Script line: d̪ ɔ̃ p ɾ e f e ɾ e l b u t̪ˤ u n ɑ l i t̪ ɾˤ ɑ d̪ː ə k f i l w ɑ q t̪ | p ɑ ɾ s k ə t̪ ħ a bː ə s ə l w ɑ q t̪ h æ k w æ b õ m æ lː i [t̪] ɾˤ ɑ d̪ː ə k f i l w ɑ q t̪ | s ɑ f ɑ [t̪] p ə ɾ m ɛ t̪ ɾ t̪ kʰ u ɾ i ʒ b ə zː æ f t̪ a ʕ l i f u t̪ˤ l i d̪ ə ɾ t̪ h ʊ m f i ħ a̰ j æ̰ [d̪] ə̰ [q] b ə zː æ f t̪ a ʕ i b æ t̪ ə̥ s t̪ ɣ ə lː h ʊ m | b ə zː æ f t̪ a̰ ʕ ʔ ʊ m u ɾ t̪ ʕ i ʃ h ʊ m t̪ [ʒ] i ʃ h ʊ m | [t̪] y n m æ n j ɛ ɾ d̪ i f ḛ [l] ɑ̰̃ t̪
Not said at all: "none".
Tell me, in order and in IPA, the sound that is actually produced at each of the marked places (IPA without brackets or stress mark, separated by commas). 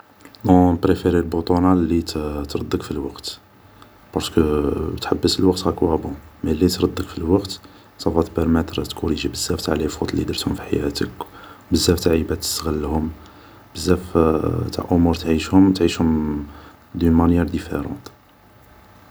t̪, t̪, t̪, k, ʕ, d̪, ɾ